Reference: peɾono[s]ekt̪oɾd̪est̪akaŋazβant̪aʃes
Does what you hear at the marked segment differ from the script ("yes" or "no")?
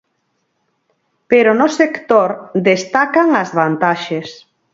no